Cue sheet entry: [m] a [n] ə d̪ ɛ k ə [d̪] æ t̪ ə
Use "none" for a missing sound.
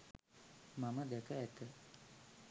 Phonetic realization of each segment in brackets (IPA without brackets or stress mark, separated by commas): m, m, none